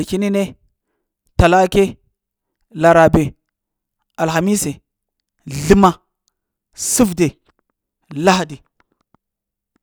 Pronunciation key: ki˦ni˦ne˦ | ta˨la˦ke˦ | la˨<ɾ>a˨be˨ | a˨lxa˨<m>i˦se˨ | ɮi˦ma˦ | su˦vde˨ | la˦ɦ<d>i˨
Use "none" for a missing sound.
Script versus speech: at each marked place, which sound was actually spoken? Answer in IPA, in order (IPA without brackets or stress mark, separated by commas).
ɾ, m, d